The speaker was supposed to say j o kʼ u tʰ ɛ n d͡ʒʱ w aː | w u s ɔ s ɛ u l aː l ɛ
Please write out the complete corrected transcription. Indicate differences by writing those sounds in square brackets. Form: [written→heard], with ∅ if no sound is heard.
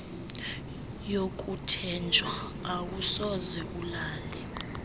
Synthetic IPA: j o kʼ u tʰ ɛ n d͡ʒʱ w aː | w u s ɔ [s→z] ɛ u l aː l ɛ